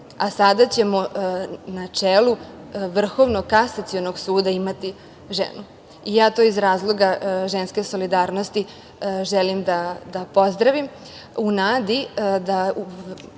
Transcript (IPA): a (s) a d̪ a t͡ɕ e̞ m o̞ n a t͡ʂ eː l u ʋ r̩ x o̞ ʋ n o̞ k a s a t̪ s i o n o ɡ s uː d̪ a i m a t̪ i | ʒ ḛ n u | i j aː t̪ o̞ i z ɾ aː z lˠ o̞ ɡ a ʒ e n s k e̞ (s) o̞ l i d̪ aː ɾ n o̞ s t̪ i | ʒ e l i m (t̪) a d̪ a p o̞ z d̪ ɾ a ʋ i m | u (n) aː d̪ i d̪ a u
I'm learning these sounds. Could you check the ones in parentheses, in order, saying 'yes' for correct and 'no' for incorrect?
yes, yes, no, yes

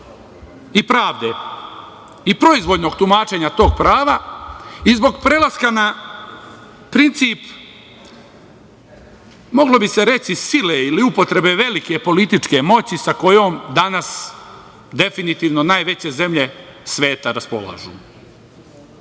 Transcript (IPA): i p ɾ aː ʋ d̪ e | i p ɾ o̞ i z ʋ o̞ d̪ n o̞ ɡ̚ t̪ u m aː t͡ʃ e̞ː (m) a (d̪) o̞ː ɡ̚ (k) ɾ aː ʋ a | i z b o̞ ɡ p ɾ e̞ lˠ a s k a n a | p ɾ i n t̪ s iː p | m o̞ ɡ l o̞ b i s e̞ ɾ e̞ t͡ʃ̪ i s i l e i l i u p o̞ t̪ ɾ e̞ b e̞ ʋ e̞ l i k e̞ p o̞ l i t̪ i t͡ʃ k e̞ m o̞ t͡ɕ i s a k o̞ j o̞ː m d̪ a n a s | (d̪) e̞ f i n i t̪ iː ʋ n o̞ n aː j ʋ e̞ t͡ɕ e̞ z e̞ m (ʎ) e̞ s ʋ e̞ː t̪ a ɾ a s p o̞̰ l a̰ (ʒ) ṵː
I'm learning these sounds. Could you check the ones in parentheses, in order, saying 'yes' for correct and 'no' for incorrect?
no, no, no, yes, yes, yes

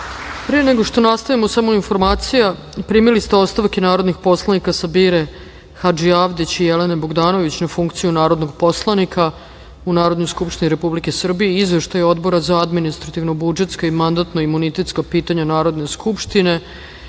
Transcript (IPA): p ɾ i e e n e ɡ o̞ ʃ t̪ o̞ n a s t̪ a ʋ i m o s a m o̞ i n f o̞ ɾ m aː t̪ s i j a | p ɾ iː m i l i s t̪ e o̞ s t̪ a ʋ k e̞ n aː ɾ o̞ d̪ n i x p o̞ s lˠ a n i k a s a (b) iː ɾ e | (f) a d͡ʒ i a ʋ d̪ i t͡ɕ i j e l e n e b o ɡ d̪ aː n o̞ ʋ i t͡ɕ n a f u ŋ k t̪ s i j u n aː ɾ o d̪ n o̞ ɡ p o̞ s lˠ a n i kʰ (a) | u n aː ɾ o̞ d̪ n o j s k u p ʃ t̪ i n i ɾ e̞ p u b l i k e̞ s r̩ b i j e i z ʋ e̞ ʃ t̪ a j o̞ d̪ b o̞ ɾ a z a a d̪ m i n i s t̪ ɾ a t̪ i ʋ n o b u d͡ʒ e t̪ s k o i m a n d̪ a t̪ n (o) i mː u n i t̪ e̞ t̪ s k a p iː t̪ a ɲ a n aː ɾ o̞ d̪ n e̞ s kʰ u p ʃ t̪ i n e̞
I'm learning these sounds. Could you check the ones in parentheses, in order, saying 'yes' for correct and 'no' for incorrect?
yes, no, yes, yes

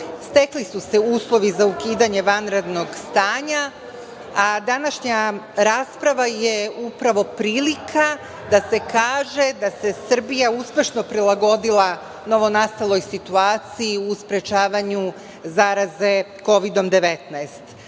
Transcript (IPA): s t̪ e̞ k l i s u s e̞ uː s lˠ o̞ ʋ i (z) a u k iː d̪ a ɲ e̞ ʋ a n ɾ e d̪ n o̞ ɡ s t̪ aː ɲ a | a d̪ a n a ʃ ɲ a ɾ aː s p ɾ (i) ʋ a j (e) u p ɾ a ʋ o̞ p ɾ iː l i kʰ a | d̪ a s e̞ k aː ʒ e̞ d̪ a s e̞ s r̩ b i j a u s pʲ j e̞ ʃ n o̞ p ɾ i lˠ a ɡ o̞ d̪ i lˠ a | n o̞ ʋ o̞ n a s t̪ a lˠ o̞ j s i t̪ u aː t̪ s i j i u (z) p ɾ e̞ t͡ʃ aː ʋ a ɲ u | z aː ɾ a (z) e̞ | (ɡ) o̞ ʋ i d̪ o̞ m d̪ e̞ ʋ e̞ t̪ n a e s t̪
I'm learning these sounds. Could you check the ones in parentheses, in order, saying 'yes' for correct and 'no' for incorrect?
yes, no, yes, no, yes, no

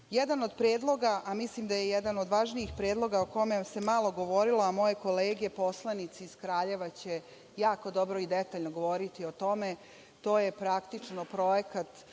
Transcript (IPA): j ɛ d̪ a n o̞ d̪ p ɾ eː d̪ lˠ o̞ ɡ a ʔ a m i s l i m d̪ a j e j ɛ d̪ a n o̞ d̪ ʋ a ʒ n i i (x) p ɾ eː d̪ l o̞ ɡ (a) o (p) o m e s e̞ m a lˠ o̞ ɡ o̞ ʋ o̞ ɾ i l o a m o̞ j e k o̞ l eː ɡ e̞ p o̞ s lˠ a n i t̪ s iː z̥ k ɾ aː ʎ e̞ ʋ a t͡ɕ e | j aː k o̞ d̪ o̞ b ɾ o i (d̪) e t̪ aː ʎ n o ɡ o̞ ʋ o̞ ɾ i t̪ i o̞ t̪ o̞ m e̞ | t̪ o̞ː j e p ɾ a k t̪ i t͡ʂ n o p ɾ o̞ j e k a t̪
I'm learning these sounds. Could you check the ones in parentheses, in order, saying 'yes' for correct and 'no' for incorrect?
yes, yes, no, yes

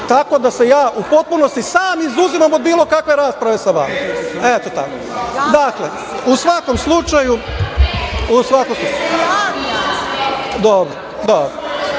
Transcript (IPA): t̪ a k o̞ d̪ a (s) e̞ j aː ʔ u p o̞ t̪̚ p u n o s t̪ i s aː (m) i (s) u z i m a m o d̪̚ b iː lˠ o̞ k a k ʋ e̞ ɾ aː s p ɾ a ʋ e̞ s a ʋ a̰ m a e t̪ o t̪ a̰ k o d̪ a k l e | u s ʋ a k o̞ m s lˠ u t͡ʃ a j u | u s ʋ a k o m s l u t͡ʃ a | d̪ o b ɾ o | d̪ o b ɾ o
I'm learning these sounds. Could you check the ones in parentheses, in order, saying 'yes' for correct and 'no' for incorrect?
yes, yes, no

